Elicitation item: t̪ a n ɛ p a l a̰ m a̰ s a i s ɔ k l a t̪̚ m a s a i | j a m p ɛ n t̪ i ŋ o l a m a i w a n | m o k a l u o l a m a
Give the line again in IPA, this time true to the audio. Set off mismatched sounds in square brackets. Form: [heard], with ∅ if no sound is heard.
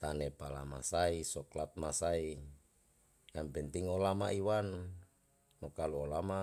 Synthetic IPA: t̪ a n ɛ p a l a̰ m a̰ s a i s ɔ k l a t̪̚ m a s a i | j a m p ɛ n t̪ i ŋ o l a m a i w a n | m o k a l u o l a m a

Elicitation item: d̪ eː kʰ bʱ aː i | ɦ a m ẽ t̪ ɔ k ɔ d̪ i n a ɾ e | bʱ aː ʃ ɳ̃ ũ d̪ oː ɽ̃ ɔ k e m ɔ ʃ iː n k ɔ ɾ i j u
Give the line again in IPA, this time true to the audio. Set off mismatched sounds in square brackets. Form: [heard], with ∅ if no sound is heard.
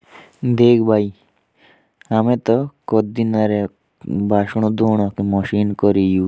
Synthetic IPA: d̪ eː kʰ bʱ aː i | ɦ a m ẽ t̪ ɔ k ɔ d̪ i n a ɾ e | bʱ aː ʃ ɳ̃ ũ d̪ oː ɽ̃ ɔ k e m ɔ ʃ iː n k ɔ ɾ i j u

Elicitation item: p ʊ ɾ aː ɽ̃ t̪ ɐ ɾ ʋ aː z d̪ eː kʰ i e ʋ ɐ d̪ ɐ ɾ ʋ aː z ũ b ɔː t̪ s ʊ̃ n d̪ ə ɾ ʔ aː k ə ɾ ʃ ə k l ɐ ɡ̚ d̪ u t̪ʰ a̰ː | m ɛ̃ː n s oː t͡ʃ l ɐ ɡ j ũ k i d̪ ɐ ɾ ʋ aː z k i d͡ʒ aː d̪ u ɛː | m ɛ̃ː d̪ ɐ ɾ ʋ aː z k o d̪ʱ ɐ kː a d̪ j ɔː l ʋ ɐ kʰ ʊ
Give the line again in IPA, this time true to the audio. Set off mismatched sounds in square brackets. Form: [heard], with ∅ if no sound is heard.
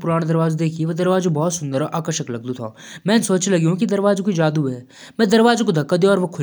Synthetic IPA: p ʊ ɾ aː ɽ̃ [d̪] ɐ ɾ ʋ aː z d̪ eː kʰ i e ʋ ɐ d̪ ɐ ɾ ʋ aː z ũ b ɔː t̪ s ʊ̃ n d̪ ə ɾ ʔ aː k ə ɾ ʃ ə k l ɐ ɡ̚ d̪ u t̪ʰ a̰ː | m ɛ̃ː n s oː t͡ʃ l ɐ ɡ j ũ k i d̪ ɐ ɾ ʋ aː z k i d͡ʒ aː d̪ u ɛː | m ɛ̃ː d̪ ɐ ɾ ʋ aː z k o d̪ʱ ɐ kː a d̪ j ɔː [ɾ] ʋ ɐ kʰ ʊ

